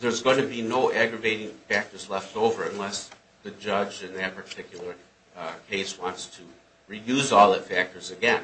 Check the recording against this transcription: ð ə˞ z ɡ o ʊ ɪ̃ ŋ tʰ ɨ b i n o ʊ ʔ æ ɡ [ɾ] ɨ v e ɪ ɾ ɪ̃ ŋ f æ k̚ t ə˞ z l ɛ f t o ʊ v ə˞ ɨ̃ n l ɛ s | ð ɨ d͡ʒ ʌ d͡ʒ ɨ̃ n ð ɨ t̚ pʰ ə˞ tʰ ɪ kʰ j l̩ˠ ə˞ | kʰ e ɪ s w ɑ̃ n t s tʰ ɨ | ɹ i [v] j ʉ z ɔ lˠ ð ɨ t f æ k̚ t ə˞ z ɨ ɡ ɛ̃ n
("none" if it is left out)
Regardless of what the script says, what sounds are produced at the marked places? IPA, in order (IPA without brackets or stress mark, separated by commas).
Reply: ɹ, none